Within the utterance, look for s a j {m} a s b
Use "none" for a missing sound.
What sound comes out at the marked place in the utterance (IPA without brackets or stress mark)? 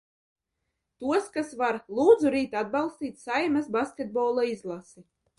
m